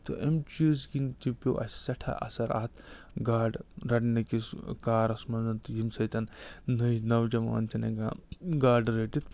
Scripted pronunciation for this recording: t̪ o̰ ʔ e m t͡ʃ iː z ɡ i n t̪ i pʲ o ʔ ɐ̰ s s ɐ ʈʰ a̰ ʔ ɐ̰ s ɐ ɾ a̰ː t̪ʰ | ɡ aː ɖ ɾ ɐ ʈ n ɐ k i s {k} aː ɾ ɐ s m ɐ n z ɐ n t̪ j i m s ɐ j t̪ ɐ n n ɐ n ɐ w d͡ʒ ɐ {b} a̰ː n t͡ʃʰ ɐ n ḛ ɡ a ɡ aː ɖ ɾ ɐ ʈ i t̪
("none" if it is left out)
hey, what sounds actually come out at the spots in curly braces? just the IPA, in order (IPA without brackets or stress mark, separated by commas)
k, m